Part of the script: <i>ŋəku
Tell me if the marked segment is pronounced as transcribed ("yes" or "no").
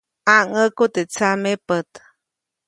no